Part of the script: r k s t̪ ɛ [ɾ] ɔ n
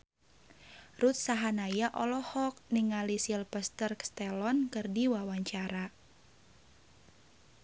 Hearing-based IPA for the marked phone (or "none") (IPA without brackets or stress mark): l